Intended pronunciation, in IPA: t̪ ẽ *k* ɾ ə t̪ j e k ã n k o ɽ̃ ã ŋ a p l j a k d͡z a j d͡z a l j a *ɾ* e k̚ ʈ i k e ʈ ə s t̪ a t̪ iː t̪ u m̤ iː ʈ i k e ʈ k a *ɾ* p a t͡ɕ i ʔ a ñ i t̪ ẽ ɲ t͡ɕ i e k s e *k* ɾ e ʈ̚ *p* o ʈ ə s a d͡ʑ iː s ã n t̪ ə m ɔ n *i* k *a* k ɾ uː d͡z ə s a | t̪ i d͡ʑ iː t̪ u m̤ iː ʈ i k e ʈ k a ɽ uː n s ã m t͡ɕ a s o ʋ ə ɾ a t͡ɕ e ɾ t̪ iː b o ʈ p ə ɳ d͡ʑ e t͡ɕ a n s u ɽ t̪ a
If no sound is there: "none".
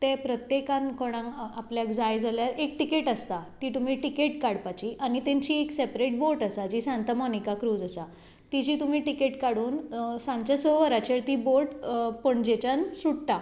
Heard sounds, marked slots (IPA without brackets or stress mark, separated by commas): p, ɾ, ɽ, p, b, i, a